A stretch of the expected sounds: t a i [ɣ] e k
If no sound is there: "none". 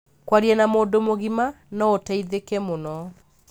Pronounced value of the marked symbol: ð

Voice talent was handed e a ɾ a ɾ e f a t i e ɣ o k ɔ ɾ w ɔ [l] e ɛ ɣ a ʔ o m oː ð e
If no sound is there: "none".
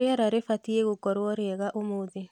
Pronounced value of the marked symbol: ɾ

